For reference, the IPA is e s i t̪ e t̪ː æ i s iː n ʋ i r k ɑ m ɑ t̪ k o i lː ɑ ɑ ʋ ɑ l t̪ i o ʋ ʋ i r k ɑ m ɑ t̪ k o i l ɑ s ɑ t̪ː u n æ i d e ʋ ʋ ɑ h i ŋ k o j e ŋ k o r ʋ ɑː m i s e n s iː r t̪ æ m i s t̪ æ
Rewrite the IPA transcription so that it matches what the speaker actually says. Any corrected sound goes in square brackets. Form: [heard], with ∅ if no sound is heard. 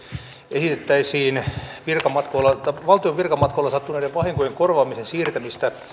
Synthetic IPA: e s i t̪ e t̪ː æ i s iː n ʋ i r k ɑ m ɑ t̪ k o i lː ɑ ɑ ʋ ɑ l t̪ i o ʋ ʋ i r k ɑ m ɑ t̪ k o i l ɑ s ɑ t̪ː u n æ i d e ʋ ʋ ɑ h i ŋ k o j e ŋ k o r ʋ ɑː m i s e n s iː r t̪ æ m i s t̪ æ